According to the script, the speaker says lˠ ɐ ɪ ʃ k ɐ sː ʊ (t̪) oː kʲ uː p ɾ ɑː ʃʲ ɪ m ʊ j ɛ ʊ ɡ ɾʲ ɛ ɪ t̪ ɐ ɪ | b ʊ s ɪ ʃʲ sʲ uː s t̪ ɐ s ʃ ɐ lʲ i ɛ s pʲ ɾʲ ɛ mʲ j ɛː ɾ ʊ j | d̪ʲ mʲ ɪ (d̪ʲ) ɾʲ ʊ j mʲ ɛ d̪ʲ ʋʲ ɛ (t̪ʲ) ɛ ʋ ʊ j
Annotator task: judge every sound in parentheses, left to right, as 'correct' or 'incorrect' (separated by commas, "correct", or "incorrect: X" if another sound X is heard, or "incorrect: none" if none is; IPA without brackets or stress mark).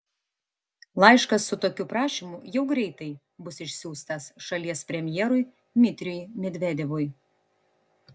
correct, incorrect: t̪ʲ, incorrect: d̪ʲ